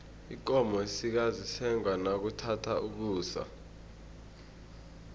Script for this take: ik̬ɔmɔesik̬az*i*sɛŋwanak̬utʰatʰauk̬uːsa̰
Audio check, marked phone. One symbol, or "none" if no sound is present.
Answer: i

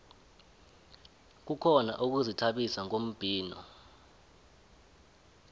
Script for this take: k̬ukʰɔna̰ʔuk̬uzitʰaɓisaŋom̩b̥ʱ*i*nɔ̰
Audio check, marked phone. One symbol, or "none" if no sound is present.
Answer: iː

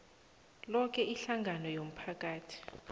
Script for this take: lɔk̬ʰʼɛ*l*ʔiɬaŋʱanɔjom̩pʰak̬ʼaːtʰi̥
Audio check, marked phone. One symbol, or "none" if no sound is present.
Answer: none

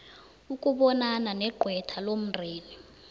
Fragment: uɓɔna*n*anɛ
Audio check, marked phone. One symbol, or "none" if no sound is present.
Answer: n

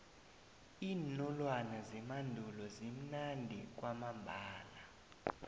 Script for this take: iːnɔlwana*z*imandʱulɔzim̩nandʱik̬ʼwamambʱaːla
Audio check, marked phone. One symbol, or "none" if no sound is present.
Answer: z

